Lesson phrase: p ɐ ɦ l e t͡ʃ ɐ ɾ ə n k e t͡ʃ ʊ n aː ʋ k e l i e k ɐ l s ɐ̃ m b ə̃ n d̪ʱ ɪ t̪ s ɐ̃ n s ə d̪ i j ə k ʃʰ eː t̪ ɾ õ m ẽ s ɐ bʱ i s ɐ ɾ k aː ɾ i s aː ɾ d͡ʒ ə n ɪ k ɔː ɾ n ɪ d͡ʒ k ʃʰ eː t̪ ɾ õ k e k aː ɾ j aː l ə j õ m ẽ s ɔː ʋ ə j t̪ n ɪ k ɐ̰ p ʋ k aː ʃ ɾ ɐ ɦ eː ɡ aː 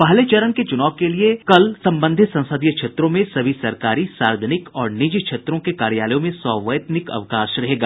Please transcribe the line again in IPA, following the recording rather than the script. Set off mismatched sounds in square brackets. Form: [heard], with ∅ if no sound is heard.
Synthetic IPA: p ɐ ɦ l e t͡ʃ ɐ ɾ ə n k e t͡ʃ ʊ n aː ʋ k e l i e k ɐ l s ɐ̃ m b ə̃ n d̪ʱ ɪ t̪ s ɐ̃ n s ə d̪ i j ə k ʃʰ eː t̪ ɾ õ m ẽ s ɐ bʱ i s ɐ ɾ k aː ɾ i s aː ɾ d͡ʒ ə n ɪ k ɔː ɾ n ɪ d͡ʒ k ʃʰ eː t̪ ɾ õ k e k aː ɾ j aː l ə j õ m ẽ s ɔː ʋ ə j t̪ n ɪ k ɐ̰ [∅] ʋ k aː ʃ ɾ ɐ ɦ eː ɡ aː

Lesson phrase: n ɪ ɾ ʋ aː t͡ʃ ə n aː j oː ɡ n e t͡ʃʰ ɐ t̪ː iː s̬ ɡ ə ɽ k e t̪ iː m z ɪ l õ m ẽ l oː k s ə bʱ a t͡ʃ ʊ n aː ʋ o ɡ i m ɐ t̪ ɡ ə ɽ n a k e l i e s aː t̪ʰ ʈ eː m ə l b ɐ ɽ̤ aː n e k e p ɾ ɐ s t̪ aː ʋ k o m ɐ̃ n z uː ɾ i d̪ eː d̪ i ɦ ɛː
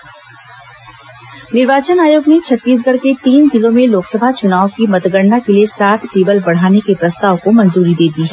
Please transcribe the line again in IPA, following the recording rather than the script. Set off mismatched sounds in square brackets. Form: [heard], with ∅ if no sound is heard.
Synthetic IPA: n ɪ ɾ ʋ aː t͡ʃ ə n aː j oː ɡ n e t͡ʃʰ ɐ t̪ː iː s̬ ɡ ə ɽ k e t̪ iː [n] z ɪ l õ m ẽ l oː k s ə bʱ a t͡ʃ ʊ n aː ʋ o [k] i m ɐ t̪ ɡ ə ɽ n a k e l i e s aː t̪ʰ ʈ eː [b] ə l b ɐ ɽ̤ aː n e k e p ɾ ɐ s t̪ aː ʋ k o m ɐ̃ n z uː ɾ i d̪ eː d̪ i ɦ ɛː

